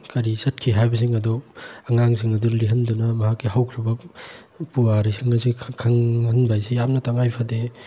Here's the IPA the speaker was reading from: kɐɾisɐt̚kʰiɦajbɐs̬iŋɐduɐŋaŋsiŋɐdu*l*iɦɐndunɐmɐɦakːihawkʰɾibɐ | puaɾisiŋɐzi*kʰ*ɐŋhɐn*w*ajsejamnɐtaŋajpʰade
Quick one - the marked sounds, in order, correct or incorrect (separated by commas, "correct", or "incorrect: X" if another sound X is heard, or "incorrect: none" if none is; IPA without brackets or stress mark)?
correct, correct, incorrect: b